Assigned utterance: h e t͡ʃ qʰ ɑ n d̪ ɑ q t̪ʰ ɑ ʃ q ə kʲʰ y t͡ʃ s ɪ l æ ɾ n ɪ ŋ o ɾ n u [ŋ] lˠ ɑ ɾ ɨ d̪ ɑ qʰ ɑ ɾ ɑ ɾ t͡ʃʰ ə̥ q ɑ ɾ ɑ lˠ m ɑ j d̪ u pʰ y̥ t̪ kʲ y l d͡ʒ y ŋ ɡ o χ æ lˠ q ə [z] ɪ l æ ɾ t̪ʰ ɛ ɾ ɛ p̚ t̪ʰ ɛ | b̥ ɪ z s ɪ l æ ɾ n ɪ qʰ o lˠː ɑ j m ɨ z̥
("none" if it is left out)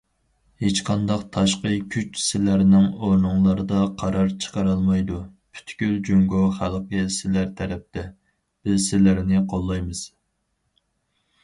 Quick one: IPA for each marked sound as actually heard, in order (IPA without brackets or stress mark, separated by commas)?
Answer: ŋ, s